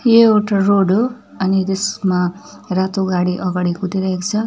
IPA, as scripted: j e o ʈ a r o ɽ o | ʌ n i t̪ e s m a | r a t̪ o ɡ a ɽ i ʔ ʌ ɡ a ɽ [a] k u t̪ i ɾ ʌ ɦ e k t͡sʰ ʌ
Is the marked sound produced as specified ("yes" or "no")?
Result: no